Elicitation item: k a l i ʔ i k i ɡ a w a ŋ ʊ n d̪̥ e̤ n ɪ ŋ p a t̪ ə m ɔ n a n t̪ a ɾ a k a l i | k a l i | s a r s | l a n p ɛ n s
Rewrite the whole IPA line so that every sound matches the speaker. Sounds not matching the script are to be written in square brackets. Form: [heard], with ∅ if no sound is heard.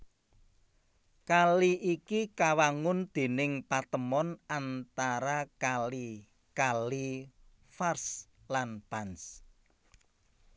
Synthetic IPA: k a l i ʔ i k i [k] a w a ŋ ʊ n d̪̥ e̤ n ɪ ŋ p a t̪ ə m ɔ n a n t̪ a ɾ a k a l i | k a l i | [f] a r s | l a n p [a] n s